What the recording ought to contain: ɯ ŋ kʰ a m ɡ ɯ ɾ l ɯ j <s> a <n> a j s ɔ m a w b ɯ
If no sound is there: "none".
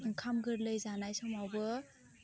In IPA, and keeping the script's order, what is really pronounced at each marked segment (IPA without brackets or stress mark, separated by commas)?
z, n